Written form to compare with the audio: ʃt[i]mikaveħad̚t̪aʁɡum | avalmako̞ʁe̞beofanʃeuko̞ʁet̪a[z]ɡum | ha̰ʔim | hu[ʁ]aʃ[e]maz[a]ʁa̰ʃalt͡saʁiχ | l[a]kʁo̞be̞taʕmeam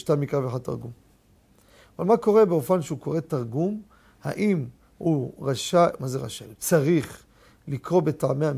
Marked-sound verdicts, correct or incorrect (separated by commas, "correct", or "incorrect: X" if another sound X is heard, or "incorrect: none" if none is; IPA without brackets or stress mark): incorrect: a, incorrect: ʁ, correct, incorrect: a, incorrect: e, incorrect: i